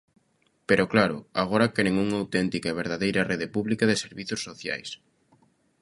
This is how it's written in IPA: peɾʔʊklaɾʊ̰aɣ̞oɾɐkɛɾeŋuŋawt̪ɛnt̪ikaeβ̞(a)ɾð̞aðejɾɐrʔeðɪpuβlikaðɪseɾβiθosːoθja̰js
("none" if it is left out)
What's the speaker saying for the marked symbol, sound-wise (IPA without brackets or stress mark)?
e